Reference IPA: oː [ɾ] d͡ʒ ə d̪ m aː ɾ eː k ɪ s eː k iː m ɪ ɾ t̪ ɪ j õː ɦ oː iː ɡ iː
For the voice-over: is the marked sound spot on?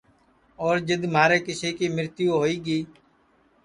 yes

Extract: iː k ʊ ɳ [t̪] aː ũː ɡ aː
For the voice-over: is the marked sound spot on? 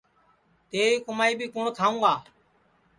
no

